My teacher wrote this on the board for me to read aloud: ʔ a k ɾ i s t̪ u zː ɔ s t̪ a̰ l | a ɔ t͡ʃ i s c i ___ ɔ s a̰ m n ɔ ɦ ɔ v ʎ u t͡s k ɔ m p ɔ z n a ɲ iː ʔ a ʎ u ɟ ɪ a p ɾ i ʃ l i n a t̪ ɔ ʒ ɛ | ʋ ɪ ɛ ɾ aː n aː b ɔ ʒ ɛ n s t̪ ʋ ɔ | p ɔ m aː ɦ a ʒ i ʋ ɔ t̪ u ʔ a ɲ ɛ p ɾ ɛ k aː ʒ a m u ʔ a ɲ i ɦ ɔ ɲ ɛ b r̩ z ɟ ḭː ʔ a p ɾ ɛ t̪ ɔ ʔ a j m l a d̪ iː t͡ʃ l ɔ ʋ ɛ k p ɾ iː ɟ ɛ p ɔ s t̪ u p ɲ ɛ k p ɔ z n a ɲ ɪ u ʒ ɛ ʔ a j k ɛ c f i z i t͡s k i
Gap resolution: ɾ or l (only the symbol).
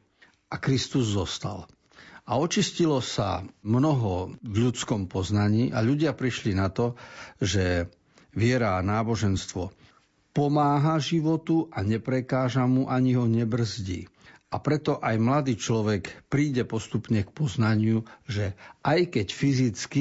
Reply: l